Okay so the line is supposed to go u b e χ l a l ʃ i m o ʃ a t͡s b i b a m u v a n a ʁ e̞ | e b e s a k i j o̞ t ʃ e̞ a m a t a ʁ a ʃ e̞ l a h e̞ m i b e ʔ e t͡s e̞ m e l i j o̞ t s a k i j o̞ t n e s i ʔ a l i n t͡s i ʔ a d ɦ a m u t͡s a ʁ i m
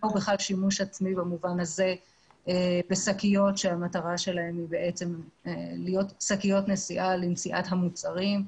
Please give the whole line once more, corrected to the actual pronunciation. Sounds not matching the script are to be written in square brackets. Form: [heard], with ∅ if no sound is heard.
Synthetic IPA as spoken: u b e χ l a l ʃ i m [u] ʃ a t͡s [m] i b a m u v a n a [z] e̞ | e b e s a k i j o̞ t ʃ e̞ a m a t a ʁ a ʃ e̞ l a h e̞ m i b e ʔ e t͡s e̞ m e l i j o̞ t s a k i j o̞ t n e s i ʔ a l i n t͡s i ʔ a [t] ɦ a m u t͡s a ʁ i m